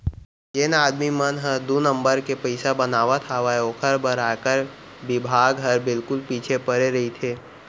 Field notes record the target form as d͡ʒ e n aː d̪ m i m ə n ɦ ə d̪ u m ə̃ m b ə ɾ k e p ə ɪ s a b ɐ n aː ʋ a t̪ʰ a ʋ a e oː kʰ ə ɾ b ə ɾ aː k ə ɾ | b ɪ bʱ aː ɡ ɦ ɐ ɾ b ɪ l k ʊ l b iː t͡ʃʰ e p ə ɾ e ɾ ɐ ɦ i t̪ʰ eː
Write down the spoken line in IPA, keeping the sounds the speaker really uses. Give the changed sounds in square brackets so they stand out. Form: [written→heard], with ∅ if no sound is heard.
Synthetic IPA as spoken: d͡ʒ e n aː d̪ m i m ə n ɦ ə d̪ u [m→n] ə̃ m b ə ɾ k e p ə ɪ s a b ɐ n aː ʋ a t̪ʰ a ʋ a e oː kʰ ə ɾ b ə ɾ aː k ə ɾ | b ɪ bʱ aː ɡ ɦ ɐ ɾ b ɪ l k ʊ l [b→p] iː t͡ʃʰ e p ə ɾ e ɾ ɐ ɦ i t̪ʰ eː